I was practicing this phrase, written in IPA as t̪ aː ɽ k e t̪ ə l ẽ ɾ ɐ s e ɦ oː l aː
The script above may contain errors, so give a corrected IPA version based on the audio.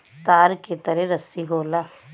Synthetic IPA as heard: t̪ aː ɾ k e t̪ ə ɾ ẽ ɾ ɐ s i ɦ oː l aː